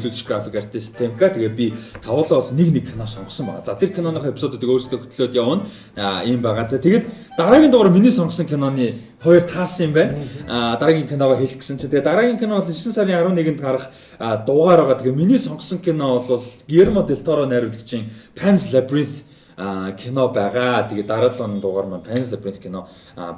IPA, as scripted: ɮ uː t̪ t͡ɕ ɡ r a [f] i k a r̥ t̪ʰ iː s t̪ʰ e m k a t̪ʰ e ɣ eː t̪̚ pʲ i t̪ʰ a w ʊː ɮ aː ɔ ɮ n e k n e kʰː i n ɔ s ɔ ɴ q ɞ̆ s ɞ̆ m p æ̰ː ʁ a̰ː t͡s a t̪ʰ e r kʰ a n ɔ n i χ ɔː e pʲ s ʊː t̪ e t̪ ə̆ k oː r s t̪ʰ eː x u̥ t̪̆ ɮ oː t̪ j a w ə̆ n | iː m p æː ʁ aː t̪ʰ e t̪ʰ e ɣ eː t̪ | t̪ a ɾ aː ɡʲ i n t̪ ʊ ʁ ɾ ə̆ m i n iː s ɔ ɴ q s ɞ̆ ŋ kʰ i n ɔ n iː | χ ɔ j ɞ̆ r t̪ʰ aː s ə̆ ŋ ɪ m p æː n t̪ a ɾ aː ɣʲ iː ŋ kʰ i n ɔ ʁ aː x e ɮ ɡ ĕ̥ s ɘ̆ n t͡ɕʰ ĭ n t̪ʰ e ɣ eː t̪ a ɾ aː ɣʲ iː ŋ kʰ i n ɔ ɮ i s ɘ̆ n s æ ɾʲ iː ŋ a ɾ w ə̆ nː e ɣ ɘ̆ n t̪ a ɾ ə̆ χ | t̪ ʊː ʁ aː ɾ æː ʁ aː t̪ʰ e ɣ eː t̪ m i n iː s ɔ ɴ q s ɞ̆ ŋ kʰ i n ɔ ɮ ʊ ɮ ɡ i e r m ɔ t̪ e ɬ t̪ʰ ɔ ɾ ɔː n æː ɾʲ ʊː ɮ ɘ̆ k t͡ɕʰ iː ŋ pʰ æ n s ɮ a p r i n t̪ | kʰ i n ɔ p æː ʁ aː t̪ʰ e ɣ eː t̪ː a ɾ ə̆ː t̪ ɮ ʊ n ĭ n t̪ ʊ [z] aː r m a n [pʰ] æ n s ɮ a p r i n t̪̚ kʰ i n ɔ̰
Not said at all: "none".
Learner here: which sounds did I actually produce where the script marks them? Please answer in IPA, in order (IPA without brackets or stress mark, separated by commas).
f, ʁ, pʰ